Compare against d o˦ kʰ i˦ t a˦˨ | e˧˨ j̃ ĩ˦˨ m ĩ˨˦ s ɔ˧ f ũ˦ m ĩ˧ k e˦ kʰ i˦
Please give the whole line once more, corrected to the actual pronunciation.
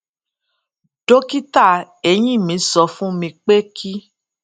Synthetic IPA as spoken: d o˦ k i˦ t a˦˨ | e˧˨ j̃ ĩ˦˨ m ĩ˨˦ s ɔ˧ f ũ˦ m ĩ˧ k͡p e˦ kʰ i˦

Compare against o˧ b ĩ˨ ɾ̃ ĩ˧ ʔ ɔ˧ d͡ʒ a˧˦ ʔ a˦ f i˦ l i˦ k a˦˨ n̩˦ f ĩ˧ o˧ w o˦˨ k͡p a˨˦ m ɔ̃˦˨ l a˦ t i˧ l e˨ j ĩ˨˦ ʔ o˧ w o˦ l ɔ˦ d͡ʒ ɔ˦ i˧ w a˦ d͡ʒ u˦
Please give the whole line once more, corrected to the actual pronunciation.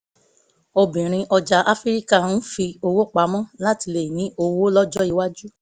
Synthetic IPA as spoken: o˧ b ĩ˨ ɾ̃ ĩ˧ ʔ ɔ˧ d͡ʒ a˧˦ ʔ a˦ f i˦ ɾ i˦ k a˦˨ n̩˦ f i˧ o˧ w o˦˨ k͡p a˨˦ m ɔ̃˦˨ l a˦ t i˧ l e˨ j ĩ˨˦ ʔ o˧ w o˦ l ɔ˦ d͡ʒ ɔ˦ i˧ w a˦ d͡ʒ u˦

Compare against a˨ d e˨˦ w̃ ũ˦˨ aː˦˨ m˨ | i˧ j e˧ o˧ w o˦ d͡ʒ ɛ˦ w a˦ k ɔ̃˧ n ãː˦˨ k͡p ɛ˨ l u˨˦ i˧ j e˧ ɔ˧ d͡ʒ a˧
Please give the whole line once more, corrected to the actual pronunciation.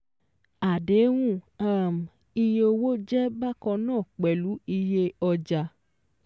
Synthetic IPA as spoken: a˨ d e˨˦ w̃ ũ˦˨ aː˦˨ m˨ | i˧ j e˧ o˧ w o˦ d͡ʒ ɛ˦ b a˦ k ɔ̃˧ n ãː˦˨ k͡p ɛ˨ l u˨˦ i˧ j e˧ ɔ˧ d͡ʒ a˧

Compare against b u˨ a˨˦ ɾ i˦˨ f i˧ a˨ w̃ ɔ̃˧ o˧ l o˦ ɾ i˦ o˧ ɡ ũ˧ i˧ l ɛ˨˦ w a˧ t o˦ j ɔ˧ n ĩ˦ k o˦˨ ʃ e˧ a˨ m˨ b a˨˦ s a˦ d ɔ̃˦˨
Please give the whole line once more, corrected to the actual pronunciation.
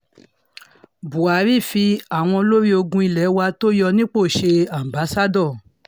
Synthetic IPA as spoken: b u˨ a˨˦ ɾ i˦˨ f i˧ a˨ w̃ ɔ̃˧ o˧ l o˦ ɾ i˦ o˧ ɡ ũ˧ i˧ l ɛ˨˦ w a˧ t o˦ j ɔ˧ n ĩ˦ k͡p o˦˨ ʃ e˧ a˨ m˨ b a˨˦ s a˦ d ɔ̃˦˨

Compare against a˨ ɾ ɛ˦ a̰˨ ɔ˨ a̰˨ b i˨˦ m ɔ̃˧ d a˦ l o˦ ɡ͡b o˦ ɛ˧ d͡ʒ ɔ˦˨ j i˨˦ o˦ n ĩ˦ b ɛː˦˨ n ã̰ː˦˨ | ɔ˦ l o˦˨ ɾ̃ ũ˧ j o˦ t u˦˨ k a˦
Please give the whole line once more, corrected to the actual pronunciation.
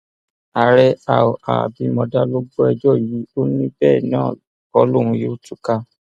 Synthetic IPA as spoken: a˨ ɾ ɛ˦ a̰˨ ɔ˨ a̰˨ b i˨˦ m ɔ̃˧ d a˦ l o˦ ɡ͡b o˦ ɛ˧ d͡ʒ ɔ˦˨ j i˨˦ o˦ n ĩ˦ b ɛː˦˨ n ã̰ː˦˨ | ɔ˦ l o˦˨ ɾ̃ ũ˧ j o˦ t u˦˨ k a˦

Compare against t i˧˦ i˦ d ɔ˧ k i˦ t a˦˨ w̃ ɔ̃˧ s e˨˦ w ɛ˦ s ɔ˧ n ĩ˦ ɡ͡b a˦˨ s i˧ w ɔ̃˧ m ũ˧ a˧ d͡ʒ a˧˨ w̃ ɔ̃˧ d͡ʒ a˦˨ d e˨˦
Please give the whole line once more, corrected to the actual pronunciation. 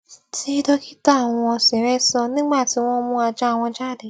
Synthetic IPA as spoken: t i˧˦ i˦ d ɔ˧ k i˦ t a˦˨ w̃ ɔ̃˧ s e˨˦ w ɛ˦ s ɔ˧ n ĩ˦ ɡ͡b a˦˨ t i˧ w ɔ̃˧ m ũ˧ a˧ d͡ʒ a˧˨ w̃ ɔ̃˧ d͡ʒ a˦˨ d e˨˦

